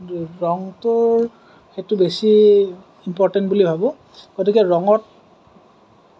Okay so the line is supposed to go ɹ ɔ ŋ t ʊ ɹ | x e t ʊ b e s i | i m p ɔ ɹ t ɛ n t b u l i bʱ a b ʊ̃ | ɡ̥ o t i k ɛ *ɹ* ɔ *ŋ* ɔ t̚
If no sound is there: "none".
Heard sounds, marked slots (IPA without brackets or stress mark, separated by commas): ɹ, ŋ